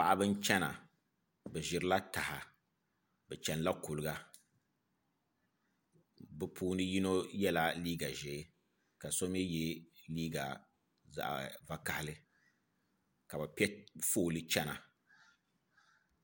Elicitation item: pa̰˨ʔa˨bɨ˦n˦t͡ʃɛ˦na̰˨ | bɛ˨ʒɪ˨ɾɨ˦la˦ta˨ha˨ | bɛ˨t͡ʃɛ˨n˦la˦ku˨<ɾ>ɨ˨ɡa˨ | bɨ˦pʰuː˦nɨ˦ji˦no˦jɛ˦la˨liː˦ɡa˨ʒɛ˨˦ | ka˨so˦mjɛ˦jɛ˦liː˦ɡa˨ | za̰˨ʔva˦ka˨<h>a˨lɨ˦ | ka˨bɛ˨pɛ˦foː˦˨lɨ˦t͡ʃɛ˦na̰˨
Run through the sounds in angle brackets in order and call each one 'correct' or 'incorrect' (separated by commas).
incorrect, correct